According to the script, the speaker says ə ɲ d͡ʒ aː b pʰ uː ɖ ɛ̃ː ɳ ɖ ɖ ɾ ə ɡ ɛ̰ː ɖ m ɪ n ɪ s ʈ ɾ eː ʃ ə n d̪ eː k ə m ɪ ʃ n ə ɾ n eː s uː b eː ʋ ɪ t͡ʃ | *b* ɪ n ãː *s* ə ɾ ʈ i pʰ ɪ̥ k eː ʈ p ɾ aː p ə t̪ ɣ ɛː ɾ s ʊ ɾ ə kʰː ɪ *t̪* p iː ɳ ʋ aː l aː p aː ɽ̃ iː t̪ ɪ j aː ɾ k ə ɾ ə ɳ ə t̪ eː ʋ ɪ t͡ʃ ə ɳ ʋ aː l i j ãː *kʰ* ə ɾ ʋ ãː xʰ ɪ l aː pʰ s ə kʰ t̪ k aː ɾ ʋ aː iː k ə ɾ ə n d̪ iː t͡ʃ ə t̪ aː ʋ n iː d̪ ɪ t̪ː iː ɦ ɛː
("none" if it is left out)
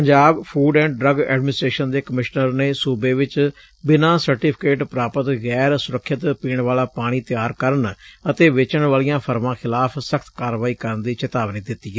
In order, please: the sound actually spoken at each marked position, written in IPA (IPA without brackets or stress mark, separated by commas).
b, s, t̪, pʰ